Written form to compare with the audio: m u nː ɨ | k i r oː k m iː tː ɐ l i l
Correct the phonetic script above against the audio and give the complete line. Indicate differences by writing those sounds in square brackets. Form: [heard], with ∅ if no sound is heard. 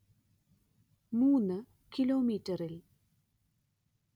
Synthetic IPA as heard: m [uː] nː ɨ | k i [l] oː [∅] m iː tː ɐ [r] i l